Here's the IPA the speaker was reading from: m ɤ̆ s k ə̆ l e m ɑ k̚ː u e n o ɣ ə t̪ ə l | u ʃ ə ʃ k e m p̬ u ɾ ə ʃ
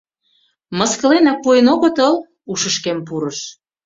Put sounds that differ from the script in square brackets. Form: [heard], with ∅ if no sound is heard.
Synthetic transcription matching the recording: m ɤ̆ s k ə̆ l e [n] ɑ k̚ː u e n o ɣ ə t̪ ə l | u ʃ ə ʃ k e m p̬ u ɾ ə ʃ